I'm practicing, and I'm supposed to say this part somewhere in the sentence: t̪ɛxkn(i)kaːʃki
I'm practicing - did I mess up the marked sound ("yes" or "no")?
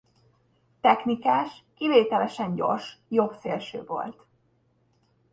no